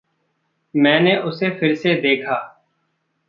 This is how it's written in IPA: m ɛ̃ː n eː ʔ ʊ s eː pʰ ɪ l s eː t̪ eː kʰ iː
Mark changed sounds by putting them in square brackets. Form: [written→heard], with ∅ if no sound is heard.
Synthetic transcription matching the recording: m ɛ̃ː n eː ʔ ʊ s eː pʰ ɪ [l→ɾ] s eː [t̪→d̪] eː kʰ [iː→aː]